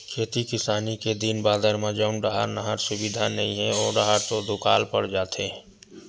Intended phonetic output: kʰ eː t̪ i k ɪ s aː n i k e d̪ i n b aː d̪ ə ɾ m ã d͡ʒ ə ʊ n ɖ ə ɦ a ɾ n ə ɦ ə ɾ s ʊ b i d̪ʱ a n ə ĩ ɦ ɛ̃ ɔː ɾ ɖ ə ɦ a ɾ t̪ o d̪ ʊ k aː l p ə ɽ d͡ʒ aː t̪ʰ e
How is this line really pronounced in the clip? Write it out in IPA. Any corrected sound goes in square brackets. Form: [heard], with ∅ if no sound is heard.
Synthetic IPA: kʰ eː t̪ i k ɪ s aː n i k e d̪ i n b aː d̪ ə ɾ m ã d͡ʒ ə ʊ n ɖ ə ɦ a ɾ n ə ɦ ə ɾ s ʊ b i d̪ʱ a n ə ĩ ɦ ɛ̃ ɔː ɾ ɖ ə ɦ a ɾ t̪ o d̪ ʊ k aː l p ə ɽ d͡ʒ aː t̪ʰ e